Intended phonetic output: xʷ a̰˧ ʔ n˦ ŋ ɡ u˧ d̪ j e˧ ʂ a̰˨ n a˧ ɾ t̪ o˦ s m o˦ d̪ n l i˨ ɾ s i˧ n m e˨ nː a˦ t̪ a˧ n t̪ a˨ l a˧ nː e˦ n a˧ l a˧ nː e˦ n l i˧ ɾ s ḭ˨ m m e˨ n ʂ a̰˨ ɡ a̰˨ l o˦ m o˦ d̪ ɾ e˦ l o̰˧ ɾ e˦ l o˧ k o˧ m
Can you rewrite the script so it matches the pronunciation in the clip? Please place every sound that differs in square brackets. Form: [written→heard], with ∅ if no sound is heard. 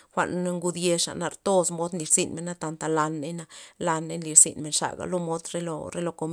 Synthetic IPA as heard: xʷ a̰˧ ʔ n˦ ŋ ɡ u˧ d̪ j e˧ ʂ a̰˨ n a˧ ɾ t̪ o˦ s m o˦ d̪ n l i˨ ɾ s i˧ n m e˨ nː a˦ t̪ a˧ n t̪ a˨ l a˧ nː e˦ n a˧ l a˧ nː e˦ n l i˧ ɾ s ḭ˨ [m→n] m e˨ n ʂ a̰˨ ɡ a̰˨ l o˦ m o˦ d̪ ɾ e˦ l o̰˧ ɾ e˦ l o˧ k o˧ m